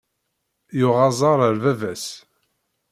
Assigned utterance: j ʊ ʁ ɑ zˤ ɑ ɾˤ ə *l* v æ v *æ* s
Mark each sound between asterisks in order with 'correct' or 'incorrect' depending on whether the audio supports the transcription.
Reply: incorrect: ɾ, correct

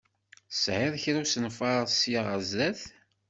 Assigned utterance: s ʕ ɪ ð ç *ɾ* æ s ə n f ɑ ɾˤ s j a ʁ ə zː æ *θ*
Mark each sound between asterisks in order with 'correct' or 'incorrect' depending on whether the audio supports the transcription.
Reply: correct, correct

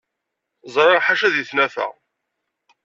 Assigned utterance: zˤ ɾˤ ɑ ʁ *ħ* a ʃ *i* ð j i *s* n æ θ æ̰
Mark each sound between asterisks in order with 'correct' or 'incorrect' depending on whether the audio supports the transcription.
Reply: correct, incorrect: æ, incorrect: θ

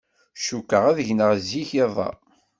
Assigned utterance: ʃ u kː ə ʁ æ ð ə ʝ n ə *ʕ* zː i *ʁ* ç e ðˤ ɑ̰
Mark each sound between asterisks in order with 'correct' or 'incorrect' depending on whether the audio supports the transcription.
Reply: incorrect: ʁ, incorrect: none

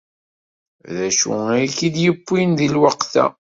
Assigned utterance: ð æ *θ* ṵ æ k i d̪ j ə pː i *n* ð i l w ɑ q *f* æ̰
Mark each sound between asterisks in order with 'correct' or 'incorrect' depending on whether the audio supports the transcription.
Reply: incorrect: ʃ, correct, incorrect: θ

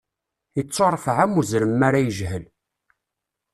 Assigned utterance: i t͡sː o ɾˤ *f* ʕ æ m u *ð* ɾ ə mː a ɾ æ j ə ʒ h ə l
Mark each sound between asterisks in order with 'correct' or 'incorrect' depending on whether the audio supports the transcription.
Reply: correct, incorrect: z

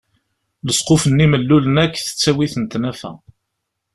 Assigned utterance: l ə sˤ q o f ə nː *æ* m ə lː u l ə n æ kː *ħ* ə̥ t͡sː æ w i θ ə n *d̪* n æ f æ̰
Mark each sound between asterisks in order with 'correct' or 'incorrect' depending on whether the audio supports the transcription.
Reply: incorrect: i, incorrect: θ, incorrect: t̪

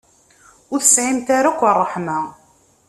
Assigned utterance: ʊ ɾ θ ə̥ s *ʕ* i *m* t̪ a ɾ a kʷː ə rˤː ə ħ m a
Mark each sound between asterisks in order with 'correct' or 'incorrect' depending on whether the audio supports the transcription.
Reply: correct, correct

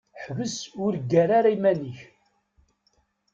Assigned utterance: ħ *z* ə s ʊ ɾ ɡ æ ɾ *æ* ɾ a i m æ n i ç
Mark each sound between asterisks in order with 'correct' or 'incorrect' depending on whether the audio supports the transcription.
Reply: incorrect: v, incorrect: a

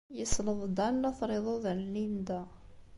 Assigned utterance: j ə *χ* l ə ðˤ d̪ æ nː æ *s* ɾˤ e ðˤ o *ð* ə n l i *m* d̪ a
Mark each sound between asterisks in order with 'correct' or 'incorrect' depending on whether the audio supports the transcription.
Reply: incorrect: s, incorrect: θ, correct, incorrect: n

